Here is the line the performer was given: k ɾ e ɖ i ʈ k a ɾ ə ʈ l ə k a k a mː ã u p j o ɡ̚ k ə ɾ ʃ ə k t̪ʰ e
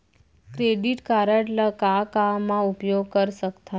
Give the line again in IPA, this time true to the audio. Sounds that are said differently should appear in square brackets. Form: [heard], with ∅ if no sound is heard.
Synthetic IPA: k ɾ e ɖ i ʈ k a ɾ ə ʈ l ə k a k a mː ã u p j o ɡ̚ k ə ɾ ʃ ə k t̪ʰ [a]